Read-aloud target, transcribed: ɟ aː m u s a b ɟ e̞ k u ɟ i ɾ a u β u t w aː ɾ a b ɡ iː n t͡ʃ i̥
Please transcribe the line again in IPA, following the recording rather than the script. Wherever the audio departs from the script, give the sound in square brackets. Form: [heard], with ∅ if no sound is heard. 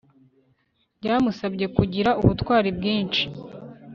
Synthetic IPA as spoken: ɟ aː m u s a b ɟ e̞ k u ɟ i ɾ a u β u t w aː ɾ [i] b ɡ iː n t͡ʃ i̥